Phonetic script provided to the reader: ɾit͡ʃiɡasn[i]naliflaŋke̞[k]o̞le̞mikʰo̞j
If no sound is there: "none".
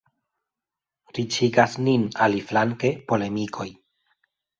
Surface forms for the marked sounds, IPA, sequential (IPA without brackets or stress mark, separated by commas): i, p